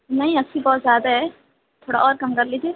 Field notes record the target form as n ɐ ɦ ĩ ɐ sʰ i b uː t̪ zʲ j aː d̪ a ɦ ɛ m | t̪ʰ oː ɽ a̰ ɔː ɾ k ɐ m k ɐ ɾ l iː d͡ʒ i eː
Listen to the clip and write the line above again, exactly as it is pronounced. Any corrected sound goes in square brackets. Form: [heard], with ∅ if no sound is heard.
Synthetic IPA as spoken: n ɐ ɦ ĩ ɐ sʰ i b [ɔː] t̪ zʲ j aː d̪ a ɦ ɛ [∅] | t̪ʰ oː ɽ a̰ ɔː ɾ k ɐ m k ɐ ɾ l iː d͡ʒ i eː